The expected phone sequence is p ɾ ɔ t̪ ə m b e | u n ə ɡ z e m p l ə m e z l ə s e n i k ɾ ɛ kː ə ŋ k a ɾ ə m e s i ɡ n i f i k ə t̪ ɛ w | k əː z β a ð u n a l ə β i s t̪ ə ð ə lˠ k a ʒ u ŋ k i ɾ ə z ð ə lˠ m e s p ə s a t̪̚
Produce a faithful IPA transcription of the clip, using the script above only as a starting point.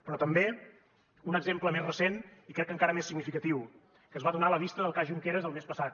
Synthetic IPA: p ɾ ɔ t̪ ə m b e | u n ə ɡ z e m p l ə m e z r ə s e n i k ɾ ɛ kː ə ŋ k a ɾ ə m e s i ɡ n i f i k ə t̪ i w | k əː z β a ð u n a l ə β i s t̪ ə ð ə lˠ k a ʒ u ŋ k e ɾ ə z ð ə lˠ m e s p ə s a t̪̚